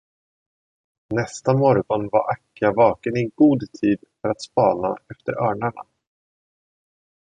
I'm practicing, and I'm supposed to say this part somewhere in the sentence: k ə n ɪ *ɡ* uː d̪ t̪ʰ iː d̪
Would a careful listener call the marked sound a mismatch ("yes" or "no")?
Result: no